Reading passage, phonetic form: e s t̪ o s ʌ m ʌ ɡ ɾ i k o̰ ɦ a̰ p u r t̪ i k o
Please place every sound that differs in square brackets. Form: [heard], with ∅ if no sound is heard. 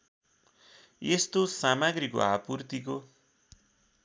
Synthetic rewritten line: e s t̪ o s [a] m [a] ɡ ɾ i k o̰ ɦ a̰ p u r t̪ i k o